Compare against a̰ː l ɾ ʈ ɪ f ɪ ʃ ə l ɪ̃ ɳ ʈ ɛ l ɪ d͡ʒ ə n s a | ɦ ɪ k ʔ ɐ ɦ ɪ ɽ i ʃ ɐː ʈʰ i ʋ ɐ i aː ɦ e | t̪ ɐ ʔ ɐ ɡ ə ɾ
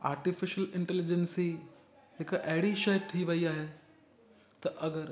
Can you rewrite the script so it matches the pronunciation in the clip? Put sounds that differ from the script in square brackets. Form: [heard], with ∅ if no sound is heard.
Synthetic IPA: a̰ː [∅] ɾ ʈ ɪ f ɪ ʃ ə l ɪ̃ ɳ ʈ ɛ l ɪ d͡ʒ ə n s [i] | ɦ ɪ k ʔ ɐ ɦ ɪ ɽ i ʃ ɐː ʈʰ i ʋ ɐ i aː ɦ e | t̪ ɐ ʔ ɐ ɡ ə ɾ